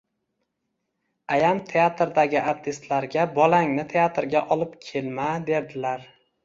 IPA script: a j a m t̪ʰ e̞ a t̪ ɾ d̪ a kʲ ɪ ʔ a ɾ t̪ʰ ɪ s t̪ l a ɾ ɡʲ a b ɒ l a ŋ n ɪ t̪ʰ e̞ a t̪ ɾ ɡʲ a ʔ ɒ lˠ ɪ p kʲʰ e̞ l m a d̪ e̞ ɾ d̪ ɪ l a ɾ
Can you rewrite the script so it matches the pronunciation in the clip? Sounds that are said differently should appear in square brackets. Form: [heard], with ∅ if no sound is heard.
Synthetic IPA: a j a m t̪ʰ e̞ a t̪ ɾ d̪ a [ɡʲ] ɪ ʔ a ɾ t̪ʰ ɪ s t̪ l a ɾ ɡʲ a b ɒ l a ŋ n ɪ t̪ʰ e̞ a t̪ ɾ ɡʲ a ʔ ɒ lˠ ɪ p kʲʰ e̞ l m a d̪ e̞ ɾ d̪ ɪ l a ɾ